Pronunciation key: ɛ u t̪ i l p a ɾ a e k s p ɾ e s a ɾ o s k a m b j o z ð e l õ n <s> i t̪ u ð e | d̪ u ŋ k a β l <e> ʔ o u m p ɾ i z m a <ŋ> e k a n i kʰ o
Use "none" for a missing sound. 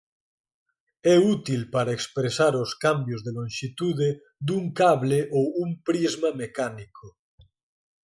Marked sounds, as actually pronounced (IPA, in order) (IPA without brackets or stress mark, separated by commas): ʃ, e, m